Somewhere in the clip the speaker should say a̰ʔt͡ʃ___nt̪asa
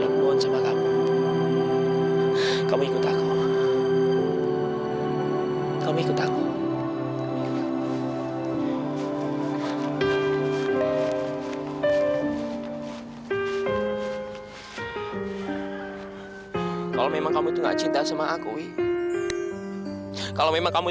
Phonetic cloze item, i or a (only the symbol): i